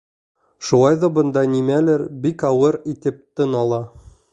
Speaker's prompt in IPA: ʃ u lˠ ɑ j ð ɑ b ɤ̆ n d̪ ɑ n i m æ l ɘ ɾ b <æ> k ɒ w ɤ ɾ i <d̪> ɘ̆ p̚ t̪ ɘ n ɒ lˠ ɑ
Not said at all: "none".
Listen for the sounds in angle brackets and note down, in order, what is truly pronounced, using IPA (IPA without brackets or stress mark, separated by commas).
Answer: i, t̪